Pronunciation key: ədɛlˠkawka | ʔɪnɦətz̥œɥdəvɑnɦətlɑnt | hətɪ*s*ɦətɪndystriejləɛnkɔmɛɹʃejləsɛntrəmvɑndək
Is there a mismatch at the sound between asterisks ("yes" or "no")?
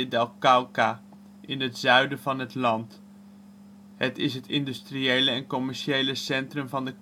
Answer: no